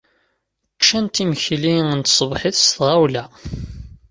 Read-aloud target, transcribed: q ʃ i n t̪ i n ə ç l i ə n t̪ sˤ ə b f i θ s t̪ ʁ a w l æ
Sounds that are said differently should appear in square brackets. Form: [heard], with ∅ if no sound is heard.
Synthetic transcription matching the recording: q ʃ [æ] n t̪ i [m] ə ç l i ə n t̪ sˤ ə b [ħ] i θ s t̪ ʁ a w l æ